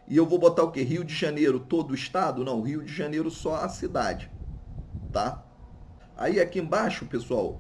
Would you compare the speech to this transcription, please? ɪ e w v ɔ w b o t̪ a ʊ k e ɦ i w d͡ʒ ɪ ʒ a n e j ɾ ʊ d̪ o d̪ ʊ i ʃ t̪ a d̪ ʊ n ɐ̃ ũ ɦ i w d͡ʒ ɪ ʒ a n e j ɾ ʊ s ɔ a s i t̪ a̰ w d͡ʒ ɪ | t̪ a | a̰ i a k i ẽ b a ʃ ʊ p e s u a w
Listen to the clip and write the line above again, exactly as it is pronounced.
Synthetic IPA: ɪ e w v o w b o t̪ a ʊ k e ɦ i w d͡ʒ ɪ ʒ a n e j ɾ ʊ t̪ o d̪ ʊ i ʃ t̪ a d̪ ʊ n ɐ̃ w̃ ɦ i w d͡ʒ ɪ ʒ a n e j ɾ ʊ s ɔ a s i d̪ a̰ d͡ʒ ɪ | t̪ a | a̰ i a k i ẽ b a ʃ ʊ p e s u a w